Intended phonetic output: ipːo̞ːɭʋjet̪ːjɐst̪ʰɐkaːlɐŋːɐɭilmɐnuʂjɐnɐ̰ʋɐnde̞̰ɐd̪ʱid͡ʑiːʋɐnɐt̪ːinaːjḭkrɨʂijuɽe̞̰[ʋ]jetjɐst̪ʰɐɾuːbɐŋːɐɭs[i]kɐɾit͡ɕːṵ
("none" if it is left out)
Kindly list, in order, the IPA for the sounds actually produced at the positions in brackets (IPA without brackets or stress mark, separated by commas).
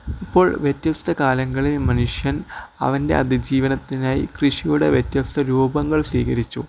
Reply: ʋ, iː